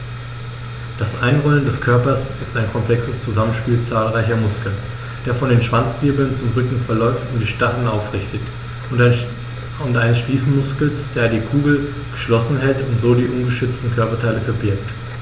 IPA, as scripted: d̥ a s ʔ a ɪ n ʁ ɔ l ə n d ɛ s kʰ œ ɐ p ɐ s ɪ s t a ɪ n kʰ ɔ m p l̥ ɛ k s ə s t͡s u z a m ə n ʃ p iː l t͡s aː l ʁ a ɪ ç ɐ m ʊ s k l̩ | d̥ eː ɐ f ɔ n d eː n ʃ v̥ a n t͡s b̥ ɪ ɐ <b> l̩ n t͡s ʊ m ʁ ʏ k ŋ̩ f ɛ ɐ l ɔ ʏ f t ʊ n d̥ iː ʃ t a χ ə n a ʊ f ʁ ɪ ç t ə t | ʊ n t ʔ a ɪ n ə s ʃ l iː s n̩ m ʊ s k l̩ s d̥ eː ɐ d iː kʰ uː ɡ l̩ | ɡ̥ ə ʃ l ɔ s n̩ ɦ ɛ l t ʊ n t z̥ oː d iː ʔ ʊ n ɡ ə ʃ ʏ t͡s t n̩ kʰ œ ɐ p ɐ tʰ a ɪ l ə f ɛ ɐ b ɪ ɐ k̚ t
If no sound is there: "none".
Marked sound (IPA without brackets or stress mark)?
b